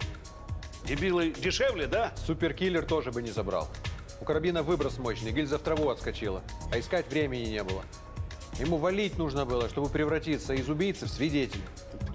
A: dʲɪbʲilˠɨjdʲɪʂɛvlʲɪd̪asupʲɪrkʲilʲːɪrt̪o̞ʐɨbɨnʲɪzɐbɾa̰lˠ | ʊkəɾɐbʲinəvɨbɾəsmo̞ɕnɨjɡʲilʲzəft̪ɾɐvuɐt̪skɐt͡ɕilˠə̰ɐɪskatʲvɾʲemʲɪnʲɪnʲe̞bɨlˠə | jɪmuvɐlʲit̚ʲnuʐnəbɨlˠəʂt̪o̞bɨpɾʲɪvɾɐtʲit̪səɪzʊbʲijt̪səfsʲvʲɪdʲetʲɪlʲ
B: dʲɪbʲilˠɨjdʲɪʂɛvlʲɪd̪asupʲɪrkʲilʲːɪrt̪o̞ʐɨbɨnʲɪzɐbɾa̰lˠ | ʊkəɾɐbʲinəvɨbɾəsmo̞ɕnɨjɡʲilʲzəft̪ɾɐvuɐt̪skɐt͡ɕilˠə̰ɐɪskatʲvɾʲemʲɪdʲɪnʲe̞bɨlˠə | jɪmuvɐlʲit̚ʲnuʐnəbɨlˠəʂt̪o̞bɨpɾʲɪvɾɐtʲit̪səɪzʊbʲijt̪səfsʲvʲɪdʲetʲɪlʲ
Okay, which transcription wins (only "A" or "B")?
A